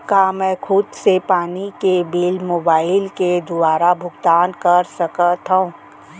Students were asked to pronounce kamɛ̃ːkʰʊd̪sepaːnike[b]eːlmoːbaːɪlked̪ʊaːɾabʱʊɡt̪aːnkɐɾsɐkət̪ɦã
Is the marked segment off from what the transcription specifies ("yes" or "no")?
no